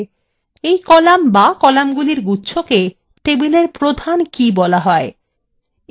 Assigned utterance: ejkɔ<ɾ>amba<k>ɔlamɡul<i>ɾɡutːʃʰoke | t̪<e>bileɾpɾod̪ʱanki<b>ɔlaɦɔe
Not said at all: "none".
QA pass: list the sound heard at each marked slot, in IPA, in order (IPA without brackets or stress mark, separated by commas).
l, k, i, e, b